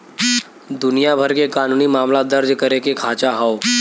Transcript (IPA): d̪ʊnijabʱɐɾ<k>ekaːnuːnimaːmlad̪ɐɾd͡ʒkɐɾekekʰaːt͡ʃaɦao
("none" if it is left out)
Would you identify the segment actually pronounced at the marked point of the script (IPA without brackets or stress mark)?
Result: k